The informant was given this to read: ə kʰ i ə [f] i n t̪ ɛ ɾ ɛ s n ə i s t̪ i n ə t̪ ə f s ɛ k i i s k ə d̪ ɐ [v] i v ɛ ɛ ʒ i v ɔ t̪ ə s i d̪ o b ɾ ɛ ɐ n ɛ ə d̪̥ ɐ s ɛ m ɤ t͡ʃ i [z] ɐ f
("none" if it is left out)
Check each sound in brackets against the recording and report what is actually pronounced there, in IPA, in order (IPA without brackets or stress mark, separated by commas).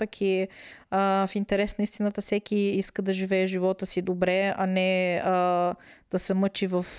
f, ʒ, v